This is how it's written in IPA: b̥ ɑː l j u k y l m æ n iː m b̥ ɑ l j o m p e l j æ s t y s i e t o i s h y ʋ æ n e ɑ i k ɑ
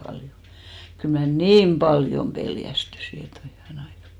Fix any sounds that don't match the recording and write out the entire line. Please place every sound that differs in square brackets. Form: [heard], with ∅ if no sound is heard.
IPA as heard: b̥ [ɑ] l j [o] k y l m æ n iː m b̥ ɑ l j o m p e l j æ s t y s i e t o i [∅] h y ʋ æ n e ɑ i k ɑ